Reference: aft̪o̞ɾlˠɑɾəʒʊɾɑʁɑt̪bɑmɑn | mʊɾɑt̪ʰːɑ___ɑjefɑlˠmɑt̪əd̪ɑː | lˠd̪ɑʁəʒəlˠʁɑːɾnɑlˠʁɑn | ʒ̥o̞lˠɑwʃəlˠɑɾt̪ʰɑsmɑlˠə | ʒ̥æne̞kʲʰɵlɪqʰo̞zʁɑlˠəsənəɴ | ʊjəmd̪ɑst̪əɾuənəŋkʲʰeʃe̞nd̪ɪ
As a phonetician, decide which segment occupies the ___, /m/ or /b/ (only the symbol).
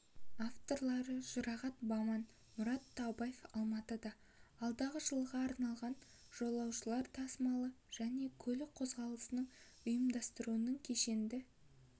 b